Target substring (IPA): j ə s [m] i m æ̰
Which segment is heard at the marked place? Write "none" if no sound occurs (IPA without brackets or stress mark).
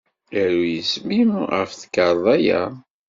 m